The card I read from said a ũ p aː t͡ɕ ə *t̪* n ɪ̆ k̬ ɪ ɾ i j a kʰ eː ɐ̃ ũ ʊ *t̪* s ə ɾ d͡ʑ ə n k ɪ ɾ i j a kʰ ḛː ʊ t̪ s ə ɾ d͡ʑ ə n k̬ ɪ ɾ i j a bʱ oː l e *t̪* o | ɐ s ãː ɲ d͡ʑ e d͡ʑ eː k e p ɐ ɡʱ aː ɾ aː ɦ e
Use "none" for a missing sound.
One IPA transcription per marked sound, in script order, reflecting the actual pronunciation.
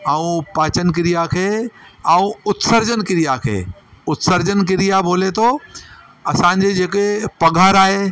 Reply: none, t̪, t̪ʰ

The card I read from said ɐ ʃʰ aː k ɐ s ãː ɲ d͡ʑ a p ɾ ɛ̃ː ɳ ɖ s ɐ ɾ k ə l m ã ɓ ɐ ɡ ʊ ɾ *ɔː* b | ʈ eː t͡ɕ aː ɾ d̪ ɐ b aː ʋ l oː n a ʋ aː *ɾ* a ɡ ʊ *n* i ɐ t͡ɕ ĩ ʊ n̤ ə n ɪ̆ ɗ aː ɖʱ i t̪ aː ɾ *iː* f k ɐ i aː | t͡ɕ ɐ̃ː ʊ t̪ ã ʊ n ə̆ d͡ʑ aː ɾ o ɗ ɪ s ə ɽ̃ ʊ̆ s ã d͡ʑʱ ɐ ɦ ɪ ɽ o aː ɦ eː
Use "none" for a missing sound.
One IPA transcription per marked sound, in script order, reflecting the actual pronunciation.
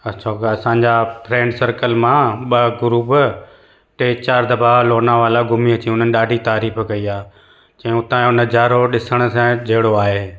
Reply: uː, l, m, iː

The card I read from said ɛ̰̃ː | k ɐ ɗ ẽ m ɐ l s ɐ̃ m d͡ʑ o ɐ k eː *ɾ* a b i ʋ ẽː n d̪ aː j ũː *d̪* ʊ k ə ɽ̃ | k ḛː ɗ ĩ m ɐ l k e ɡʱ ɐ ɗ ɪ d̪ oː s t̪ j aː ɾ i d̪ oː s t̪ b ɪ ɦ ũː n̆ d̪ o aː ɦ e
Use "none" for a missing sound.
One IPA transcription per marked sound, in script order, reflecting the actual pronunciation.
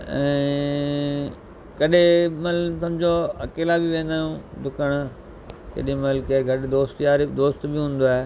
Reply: l, d̪

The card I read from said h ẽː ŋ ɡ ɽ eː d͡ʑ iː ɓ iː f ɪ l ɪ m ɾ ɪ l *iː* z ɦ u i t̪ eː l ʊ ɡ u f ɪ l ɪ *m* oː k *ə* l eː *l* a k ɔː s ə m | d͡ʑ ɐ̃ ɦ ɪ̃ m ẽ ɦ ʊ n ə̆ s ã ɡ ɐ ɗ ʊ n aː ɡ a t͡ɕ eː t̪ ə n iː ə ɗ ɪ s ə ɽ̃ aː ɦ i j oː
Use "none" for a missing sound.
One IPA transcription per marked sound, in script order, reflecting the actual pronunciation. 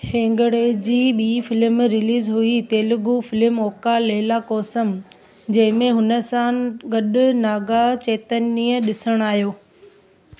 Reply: iː, m, a, l

